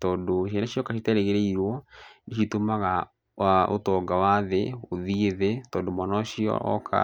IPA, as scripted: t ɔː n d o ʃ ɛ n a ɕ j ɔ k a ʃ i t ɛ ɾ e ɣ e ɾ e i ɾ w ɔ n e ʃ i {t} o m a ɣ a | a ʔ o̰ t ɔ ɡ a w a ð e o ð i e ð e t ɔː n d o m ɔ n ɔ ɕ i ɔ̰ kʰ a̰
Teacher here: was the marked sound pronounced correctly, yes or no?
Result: yes